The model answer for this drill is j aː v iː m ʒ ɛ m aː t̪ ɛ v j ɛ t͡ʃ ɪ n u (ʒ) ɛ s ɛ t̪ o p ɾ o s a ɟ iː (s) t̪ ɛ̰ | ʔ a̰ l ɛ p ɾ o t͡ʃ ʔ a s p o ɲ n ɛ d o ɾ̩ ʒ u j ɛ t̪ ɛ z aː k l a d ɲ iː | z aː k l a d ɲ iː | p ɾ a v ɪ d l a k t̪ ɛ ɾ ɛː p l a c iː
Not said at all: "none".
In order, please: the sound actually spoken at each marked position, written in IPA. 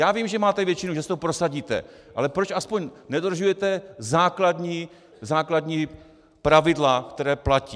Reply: ʒ, none

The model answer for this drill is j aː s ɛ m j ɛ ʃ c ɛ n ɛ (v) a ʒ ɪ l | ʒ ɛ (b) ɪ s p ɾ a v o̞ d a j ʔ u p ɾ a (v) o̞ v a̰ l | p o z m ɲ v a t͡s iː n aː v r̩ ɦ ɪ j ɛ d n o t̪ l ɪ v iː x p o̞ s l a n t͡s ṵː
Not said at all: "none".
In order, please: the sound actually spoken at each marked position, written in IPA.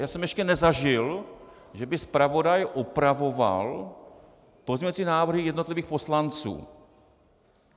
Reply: z, b, v

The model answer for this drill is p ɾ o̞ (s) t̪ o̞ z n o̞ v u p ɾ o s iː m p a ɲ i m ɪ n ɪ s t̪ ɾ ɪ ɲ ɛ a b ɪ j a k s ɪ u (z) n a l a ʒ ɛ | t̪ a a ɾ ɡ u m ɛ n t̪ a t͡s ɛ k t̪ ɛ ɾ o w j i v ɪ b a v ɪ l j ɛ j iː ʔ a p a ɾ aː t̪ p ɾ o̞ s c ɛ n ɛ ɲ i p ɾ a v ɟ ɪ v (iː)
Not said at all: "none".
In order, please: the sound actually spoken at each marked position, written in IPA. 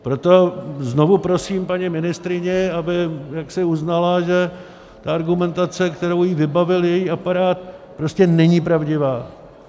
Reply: none, z, aː

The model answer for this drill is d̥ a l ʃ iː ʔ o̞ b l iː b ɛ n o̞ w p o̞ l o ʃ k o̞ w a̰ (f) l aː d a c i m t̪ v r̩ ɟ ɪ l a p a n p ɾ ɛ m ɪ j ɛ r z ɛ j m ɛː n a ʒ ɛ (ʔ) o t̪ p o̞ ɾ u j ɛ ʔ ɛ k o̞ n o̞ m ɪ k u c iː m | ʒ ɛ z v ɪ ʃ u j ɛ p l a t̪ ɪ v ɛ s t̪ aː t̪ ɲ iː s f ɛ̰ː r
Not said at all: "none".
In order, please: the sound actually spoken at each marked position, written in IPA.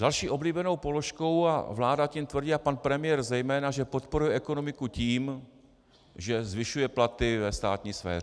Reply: v, p

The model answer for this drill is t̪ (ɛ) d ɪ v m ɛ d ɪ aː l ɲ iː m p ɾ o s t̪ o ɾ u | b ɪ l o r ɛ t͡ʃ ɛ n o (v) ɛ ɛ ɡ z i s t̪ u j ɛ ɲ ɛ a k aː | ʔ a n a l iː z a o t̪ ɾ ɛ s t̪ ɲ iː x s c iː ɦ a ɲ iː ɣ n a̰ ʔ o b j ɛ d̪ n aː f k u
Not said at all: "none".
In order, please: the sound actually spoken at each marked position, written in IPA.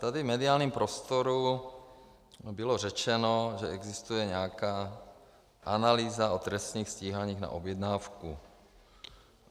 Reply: a, ʒ

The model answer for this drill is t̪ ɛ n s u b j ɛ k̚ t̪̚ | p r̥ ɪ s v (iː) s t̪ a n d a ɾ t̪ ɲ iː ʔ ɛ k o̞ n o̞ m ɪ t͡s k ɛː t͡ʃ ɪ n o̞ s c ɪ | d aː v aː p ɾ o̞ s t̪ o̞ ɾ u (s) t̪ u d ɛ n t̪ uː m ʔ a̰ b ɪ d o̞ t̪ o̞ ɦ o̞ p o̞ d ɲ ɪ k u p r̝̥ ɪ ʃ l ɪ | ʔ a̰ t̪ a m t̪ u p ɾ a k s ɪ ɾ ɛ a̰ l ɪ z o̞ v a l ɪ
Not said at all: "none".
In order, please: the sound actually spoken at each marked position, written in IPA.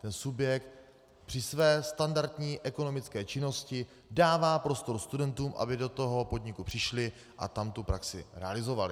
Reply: ɛː, s

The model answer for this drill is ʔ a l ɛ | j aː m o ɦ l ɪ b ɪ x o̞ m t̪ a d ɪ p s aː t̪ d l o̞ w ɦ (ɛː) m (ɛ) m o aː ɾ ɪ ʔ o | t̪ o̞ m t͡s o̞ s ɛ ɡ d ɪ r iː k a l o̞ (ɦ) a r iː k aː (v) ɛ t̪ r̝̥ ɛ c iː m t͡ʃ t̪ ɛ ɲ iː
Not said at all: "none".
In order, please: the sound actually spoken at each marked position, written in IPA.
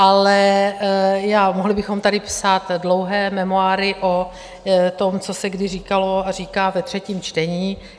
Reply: ɛː, ɛ, none, v

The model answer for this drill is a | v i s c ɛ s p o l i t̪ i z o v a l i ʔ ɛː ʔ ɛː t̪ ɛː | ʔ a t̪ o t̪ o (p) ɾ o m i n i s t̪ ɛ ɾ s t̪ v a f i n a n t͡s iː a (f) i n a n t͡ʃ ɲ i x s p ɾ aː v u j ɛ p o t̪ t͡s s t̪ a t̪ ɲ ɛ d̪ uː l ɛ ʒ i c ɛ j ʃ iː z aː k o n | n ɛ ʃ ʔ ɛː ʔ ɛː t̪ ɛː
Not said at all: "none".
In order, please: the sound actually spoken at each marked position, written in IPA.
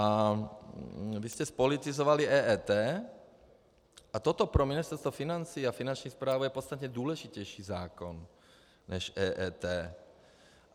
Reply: p, f

